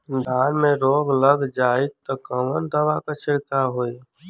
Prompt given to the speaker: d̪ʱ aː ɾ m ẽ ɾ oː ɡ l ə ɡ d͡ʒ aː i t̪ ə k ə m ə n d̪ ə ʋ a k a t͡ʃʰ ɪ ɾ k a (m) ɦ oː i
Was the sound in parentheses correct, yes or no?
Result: no